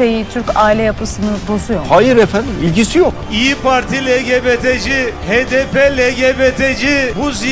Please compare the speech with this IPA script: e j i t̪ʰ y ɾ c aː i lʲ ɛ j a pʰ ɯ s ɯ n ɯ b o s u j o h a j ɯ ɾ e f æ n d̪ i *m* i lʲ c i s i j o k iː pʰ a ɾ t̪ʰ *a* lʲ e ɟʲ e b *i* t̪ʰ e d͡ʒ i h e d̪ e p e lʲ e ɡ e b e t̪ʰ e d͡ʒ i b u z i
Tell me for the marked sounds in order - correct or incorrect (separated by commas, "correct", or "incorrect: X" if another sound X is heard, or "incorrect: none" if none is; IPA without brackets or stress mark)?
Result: correct, incorrect: i, incorrect: e